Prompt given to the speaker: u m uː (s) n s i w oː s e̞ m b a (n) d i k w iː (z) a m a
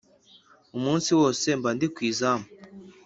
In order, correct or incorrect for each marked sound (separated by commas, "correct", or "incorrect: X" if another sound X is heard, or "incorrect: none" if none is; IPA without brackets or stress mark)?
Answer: incorrect: none, correct, correct